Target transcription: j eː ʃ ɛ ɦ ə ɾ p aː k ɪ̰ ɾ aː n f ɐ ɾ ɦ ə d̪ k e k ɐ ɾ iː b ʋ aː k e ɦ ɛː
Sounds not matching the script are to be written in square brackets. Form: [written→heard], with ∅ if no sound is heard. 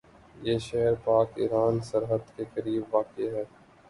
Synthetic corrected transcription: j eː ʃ ɛ ɦ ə ɾ p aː k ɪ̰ ɾ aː n [f→s] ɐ ɾ ɦ ə d̪ k e k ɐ ɾ iː b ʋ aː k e ɦ ɛː